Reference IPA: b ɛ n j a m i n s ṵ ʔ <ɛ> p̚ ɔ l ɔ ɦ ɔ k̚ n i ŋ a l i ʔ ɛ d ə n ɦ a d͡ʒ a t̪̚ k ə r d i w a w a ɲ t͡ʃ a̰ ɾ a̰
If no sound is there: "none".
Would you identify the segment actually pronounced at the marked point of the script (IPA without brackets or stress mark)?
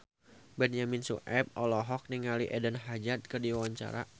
ɛ